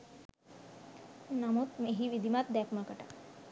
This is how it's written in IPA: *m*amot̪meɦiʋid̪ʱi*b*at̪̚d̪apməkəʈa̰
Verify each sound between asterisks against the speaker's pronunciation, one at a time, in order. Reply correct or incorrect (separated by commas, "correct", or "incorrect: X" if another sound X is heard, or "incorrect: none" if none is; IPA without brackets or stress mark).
incorrect: n, incorrect: m